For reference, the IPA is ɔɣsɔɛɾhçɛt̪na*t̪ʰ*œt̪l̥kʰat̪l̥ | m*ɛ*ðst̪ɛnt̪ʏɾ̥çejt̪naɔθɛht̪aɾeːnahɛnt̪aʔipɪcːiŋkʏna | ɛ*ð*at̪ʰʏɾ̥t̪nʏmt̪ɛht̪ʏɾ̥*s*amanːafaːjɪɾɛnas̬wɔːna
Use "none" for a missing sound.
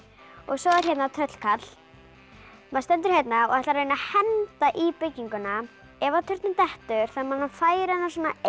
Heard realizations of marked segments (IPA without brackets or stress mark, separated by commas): t̪ʰ, a, v, θ